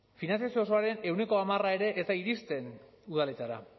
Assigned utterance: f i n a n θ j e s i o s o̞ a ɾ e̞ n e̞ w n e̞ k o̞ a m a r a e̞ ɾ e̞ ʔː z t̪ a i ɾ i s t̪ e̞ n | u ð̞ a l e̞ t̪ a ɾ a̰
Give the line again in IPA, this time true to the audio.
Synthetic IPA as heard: f i n a n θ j a s i o s o̞ a ɾ e̞ n e̞ w n e̞ k o̞ a m a r a e̞ ɾ e̞ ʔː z t̪ a i ɾ i s t̪ e̞ n | u ð̞ a l e̞ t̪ a ɾ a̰